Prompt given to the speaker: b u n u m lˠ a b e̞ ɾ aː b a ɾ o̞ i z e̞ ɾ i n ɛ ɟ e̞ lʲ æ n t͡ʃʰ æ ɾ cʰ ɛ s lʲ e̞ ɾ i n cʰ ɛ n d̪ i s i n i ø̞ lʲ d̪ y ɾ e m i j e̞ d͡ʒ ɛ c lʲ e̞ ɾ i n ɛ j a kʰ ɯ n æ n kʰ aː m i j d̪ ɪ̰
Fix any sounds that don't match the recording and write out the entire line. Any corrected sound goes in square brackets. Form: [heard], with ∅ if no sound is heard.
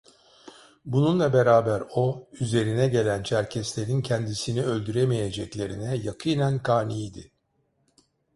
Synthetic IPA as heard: b u n u [n] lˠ a b e̞ ɾ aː b [æ] ɾ o̞ [y] z e̞ ɾ i n ɛ ɟ e̞ lʲ æ n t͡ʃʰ æ ɾ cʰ ɛ s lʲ e̞ ɾ i n cʰ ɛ n d̪ i s i n i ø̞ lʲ d̪ y ɾ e m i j e̞ d͡ʒ ɛ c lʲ e̞ ɾ i n ɛ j a kʰ ɯ n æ n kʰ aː [n] i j d̪ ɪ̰